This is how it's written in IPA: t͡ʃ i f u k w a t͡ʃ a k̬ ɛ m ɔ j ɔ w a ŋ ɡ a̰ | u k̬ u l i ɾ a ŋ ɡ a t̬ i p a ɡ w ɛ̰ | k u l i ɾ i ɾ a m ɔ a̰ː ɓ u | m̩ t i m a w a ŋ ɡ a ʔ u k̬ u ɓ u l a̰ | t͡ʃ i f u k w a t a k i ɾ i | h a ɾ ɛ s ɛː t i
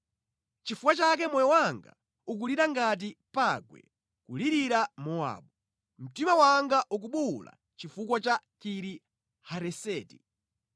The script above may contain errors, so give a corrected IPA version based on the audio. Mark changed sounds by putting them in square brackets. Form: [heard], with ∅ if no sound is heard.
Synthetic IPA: t͡ʃ i f u k w a t͡ʃ a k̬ ɛ m ɔ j ɔ w a ŋ ɡ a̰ | u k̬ u l i ɾ a ŋ ɡ a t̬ i p a ɡ w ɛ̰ | k u l i ɾ i ɾ a m ɔ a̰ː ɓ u | m̩ t i m a w a ŋ ɡ a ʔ u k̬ u ɓ u l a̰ | t͡ʃ i f u k w a [t͡ʃ] a k i ɾ i | h a ɾ ɛ s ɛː t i